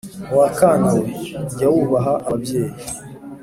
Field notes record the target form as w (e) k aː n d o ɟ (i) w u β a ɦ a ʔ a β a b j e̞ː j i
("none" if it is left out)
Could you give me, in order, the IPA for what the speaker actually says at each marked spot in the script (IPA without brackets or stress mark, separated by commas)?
a, a